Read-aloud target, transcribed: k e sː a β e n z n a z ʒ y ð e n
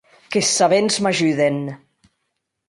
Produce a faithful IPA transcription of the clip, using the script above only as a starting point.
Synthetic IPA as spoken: k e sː a β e n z m a ʒ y ð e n